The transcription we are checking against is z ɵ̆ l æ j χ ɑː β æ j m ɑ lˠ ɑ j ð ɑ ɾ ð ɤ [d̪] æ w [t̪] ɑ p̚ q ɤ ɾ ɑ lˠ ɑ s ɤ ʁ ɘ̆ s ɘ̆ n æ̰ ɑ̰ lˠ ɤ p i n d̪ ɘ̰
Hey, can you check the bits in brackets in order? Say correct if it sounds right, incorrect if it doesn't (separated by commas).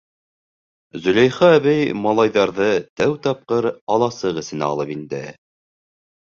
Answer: incorrect, correct